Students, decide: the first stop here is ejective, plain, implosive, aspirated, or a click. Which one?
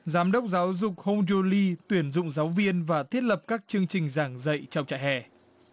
implosive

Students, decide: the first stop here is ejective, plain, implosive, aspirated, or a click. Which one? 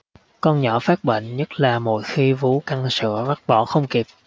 plain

